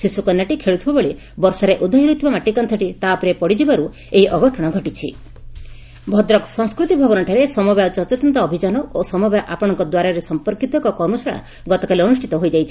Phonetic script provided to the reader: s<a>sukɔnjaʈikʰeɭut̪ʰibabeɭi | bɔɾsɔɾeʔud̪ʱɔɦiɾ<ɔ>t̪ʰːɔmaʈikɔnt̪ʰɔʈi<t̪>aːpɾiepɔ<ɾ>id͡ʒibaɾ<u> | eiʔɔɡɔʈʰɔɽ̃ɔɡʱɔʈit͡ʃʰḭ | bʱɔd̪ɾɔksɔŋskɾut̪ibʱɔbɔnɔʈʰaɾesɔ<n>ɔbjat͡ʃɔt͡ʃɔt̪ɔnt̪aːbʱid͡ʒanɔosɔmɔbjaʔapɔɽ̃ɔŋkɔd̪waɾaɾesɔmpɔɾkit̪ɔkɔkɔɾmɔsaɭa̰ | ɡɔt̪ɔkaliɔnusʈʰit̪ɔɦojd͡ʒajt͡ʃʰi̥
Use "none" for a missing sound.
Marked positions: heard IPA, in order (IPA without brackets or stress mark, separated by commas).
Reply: i, u, t̪, ɽ, u, m